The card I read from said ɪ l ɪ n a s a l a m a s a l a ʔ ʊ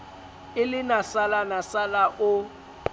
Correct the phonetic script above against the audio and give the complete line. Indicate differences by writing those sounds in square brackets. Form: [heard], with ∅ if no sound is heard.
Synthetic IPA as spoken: ɪ l ɪ n a s a l a [n] a s a l a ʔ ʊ